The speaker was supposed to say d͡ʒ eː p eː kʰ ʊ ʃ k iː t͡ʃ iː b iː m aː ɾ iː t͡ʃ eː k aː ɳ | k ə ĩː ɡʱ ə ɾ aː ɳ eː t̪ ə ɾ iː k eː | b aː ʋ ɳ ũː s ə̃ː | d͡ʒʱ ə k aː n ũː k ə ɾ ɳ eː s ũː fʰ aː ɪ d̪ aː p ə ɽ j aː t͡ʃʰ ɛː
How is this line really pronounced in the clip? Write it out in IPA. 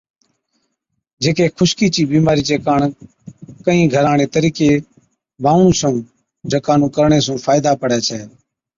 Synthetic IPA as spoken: d͡ʒ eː k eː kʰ ʊ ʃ k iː t͡ʃ iː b iː m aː ɾ iː t͡ʃ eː k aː ɳ | k ə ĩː ɡʱ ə ɾ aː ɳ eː t̪ ə ɾ iː k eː | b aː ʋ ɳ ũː s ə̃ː | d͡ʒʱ ə k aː n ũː k ə ɾ ɳ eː s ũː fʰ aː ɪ d̪ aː p ə ɽ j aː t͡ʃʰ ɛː